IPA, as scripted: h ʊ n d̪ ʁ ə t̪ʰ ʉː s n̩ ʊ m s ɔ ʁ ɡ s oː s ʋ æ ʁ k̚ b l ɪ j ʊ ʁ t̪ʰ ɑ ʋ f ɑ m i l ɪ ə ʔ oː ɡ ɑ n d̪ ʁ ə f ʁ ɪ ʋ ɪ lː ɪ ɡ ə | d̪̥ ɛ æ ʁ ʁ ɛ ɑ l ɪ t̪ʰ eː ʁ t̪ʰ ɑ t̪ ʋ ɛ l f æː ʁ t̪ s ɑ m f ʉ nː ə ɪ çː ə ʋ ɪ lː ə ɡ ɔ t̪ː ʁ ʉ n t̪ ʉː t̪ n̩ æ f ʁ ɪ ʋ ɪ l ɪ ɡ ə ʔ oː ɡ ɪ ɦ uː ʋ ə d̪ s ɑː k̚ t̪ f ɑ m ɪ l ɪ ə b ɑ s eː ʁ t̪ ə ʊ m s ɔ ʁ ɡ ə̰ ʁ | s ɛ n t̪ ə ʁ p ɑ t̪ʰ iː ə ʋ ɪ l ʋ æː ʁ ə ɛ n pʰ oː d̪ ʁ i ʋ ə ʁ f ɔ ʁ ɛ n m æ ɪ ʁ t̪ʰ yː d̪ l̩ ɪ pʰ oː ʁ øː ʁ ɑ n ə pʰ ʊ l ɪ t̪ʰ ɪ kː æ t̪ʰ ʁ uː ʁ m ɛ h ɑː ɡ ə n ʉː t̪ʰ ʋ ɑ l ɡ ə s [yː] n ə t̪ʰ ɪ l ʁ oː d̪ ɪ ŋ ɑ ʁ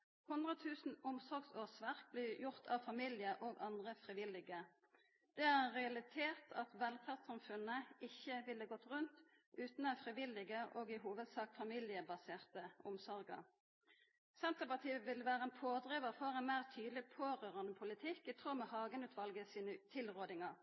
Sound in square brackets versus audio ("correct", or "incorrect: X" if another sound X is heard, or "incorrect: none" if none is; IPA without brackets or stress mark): incorrect: iː